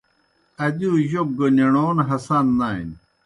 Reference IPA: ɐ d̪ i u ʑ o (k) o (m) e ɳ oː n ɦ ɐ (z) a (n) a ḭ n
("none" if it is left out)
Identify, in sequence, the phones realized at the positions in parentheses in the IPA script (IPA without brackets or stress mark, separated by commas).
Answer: ɡ, n, s, nː